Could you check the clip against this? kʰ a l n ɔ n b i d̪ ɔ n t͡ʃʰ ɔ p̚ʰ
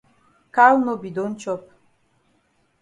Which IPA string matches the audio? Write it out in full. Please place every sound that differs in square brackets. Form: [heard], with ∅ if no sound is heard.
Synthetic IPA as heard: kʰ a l n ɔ [∅] b i d̪ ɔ n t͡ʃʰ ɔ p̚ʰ